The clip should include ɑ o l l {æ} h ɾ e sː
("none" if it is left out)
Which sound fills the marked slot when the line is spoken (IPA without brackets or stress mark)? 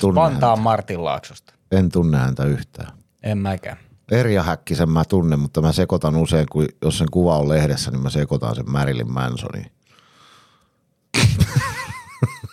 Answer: e